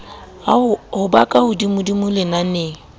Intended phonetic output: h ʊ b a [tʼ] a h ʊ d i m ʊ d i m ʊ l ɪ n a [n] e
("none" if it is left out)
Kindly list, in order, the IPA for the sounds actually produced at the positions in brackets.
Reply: kʼ, n

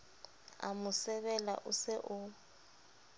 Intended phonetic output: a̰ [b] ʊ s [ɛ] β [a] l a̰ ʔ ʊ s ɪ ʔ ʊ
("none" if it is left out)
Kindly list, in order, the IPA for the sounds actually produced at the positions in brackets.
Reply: m, ɛ, ɛ

